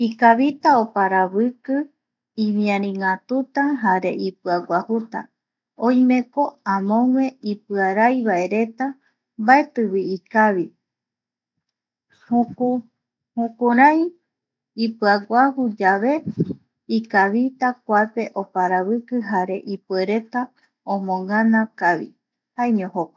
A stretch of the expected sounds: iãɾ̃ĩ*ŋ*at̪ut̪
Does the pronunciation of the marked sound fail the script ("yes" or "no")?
no